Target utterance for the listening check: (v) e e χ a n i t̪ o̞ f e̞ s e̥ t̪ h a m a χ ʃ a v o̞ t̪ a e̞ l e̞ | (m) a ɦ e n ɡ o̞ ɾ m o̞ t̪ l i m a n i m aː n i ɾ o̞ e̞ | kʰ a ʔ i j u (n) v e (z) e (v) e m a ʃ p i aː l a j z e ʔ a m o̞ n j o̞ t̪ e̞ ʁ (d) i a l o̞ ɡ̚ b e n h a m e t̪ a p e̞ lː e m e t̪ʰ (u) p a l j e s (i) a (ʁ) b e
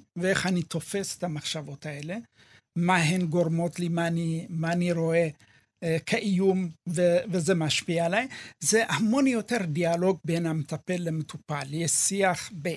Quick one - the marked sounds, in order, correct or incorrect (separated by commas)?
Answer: correct, correct, incorrect, incorrect, incorrect, correct, correct, correct, incorrect